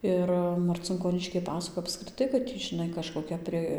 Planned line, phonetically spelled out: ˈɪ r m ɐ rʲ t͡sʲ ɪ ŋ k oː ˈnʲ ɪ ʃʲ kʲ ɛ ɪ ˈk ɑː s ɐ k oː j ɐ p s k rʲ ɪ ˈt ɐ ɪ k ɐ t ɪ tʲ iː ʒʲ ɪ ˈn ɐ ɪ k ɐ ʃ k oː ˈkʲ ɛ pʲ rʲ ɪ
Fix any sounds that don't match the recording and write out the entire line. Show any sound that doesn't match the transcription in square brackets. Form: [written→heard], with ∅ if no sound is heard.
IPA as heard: ˈɪ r m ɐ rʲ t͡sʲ ɪ ŋ k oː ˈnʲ ɪ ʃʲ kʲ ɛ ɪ [ˈk→ˈp] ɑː s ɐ k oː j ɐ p s k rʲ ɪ ˈt ɐ ɪ k ɐ t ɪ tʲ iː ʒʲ ɪ ˈn ɐ ɪ k ɐ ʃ k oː ˈkʲ ɛ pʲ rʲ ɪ